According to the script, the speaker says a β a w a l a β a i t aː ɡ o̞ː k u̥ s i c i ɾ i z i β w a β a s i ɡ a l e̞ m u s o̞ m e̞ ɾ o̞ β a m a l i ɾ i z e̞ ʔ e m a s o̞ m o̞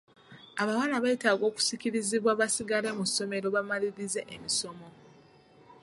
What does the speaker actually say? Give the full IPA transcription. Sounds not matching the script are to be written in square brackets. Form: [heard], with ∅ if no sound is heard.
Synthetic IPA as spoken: a β a w a l a β a i t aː ɡ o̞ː k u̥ s i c i ɾ i z i β w a β a s i ɡ a l e̞ m u s o̞ m e̞ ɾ o̞ β a m a l i ɾ i z e̞ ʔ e m [i] s o̞ m o̞